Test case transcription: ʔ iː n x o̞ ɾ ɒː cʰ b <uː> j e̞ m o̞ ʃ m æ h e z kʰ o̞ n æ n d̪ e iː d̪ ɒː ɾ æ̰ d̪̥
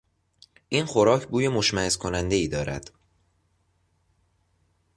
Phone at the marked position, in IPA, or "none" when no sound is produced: uː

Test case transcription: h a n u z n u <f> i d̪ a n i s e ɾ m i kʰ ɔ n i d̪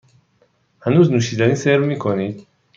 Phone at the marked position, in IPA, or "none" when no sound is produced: ʃ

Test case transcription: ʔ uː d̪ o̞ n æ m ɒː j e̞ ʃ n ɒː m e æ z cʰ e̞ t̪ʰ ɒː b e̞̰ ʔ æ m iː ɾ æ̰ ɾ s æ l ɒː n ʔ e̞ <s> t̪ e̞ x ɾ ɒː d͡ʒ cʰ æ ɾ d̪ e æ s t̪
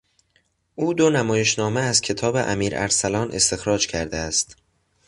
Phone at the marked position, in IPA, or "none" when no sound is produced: s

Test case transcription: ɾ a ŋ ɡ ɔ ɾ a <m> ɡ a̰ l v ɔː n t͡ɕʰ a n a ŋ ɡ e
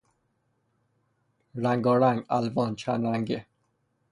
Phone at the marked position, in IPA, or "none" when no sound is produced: ŋ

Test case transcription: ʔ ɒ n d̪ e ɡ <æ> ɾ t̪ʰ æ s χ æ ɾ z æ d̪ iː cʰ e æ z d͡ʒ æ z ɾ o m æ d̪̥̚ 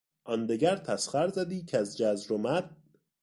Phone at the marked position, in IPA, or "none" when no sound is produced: æ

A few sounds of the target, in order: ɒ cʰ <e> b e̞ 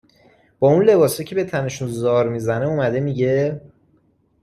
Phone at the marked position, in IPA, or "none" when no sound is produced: e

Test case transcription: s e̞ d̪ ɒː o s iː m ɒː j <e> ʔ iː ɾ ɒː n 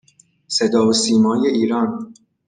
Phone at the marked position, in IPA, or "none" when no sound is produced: e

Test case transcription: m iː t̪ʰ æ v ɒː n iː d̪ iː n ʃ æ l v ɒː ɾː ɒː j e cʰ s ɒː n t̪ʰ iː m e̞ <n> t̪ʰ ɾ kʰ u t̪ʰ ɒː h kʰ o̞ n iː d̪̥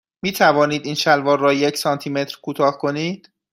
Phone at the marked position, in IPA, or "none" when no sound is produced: none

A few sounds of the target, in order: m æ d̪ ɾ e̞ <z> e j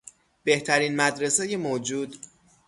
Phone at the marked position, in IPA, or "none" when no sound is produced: s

